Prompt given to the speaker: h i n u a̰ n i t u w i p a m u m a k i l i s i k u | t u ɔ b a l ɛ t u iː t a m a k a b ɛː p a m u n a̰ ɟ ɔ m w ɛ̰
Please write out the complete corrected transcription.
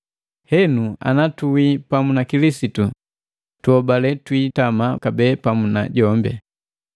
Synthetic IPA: h ɛ n u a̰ n a t u w i p a m u n a k i l i s i t u | t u ɔ b a l ɛ t w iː t a m a k a b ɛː p a m u n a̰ ɟ ɔ m b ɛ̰